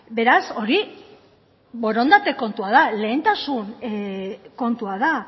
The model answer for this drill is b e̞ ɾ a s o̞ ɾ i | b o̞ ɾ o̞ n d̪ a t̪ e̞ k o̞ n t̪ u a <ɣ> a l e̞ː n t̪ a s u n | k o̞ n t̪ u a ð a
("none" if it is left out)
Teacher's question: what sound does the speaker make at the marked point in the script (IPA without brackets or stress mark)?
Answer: ð